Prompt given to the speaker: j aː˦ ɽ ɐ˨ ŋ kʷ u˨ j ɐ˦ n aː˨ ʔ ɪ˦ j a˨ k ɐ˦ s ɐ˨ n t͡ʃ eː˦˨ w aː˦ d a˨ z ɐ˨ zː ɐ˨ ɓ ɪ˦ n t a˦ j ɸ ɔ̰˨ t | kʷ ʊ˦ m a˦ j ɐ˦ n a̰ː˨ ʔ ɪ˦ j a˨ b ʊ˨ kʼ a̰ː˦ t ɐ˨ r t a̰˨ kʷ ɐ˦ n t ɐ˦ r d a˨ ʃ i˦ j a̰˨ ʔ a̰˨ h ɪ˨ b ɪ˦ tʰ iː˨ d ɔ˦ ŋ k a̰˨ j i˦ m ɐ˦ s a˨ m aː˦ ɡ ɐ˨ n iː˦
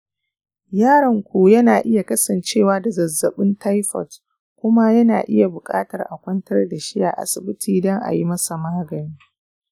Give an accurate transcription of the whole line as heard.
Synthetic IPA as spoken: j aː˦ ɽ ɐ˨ ŋ kʷ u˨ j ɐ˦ n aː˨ ʔ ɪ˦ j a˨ k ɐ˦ s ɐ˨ n t͡ʃ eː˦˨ w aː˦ d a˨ z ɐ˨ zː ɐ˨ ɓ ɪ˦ n t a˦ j ɸ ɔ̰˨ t | kʷ ʊ˦ m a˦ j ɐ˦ n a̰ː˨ ʔ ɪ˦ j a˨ b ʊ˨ kʼ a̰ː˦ t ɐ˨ r ʔ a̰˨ kʷ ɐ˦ n t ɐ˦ r d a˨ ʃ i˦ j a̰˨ ʔ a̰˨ s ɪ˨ b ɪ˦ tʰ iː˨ d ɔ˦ ŋ ʔ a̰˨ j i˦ m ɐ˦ s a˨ m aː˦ ɡ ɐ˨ n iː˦